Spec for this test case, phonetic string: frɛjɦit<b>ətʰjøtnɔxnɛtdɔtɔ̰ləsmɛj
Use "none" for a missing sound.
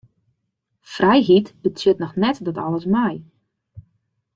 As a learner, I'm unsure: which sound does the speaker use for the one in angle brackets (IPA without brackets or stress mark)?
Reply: b